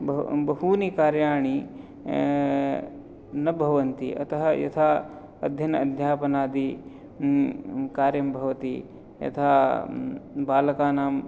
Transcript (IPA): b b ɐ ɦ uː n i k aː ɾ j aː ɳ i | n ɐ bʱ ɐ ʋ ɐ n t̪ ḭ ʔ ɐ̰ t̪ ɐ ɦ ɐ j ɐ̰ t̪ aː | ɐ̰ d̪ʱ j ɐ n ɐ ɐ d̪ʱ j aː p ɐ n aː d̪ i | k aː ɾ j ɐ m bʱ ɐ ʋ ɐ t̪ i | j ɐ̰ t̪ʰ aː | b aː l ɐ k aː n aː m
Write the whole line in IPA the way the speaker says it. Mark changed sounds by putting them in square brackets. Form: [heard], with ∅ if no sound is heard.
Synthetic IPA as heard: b b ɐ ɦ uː n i k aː ɾ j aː ɳ i | n ɐ bʱ ɐ ʋ ɐ n t̪ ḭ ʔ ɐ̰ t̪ ɐ ɦ ɐ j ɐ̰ [t̪ʰ] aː | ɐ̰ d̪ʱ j ɐ n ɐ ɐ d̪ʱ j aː p ɐ n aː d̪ i | k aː ɾ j ɐ m bʱ ɐ ʋ ɐ t̪ i | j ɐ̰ t̪ʰ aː | b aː l ɐ k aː n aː m